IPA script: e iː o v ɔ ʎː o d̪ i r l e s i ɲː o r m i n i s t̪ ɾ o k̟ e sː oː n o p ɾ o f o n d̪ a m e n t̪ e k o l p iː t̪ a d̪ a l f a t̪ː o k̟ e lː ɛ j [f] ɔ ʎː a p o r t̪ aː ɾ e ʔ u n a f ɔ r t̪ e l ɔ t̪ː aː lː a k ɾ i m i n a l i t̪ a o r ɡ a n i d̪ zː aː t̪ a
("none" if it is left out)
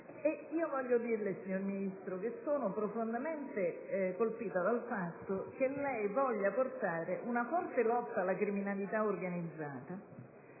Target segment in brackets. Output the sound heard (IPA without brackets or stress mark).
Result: v